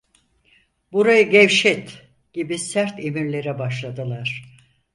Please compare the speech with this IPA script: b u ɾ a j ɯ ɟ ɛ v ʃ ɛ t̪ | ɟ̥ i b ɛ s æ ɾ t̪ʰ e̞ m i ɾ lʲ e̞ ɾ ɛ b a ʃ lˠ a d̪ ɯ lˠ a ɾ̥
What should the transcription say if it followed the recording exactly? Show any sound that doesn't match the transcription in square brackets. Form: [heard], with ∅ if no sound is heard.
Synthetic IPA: b u ɾ a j ɯ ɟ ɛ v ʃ ɛ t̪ | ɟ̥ i b [i] s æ ɾ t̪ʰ e̞ m i ɾ lʲ e̞ ɾ ɛ b a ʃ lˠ a d̪ ɯ lˠ a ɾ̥